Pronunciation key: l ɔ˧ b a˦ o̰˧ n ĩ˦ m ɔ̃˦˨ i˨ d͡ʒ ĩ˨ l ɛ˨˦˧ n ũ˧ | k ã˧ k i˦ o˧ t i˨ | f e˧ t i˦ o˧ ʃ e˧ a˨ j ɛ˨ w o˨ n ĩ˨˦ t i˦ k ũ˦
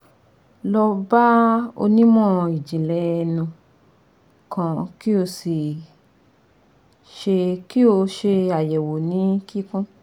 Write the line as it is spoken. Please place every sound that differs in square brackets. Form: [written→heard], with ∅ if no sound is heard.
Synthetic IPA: l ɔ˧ b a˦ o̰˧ n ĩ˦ m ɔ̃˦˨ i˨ d͡ʒ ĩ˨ l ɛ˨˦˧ n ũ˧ | k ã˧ k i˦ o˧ [t→s] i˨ | [f→ʃ] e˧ [t→k] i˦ o˧ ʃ e˧ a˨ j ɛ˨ w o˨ n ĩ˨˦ [t→k] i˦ k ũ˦